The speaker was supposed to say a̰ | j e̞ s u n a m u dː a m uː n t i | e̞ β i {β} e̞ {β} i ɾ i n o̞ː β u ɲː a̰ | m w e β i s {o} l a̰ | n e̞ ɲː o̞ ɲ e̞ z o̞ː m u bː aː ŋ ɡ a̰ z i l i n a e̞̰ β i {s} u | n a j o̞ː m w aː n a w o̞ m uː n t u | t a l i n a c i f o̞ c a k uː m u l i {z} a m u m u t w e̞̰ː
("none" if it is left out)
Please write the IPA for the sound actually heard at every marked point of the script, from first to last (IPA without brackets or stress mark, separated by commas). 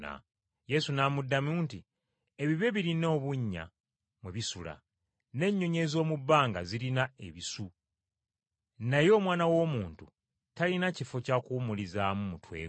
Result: β, β, u, s, z